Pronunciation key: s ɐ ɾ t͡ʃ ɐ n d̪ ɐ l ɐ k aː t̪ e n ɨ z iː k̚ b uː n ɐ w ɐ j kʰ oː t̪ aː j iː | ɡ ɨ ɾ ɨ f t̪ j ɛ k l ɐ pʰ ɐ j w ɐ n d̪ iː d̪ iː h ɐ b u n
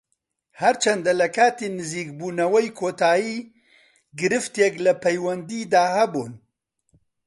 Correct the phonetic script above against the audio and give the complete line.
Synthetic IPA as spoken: h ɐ ɾ t͡ʃ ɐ n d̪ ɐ l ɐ k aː t̪ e n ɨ z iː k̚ b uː n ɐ w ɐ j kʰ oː t̪ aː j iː | ɡ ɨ ɾ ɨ f t̪ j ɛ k l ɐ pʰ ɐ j w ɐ n d̪ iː d̪ aː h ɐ b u n